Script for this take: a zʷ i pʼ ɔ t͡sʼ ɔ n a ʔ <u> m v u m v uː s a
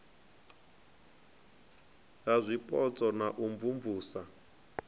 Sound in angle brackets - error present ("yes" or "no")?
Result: no